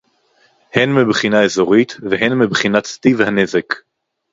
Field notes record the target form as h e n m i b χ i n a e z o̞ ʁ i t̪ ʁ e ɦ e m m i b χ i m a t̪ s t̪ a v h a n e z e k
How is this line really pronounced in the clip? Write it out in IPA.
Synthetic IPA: h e n m i b χ i n a e z o̞ ʁ i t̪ v e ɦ e n m i b χ i n a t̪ s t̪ i v h a n e z e k